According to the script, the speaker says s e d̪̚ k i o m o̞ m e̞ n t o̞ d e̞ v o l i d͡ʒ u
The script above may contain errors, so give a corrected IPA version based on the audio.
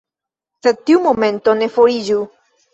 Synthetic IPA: s e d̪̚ t i u m o̞ m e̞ n t o̞ n e̞ f o ɾ i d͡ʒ u